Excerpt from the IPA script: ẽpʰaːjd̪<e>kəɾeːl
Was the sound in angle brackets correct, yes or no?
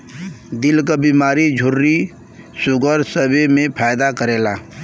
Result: no